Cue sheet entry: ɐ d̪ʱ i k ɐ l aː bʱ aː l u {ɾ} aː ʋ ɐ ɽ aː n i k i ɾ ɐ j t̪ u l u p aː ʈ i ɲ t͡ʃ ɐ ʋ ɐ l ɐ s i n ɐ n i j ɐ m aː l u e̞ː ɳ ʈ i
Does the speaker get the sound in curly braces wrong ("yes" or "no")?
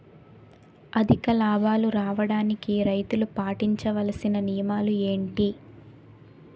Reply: no